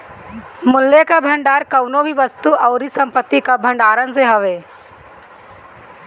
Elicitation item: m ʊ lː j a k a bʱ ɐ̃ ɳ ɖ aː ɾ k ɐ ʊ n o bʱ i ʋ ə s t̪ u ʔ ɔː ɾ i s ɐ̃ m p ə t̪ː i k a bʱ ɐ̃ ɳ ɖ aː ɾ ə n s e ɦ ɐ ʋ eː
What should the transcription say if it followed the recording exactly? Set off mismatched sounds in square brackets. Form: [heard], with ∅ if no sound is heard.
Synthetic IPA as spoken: m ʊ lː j [e] k a bʱ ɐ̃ ɳ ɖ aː ɾ k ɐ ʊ n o bʱ i ʋ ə s t̪ u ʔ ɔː ɾ i s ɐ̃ m p ə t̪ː i k a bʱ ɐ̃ ɳ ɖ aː ɾ ə n s e ɦ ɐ ʋ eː